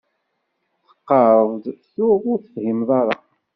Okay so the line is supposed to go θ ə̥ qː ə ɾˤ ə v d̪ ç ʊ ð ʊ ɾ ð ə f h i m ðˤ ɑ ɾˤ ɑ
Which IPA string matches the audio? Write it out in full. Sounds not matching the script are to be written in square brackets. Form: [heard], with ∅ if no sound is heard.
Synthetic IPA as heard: θ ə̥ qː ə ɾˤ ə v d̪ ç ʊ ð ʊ ɾ [θ] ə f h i m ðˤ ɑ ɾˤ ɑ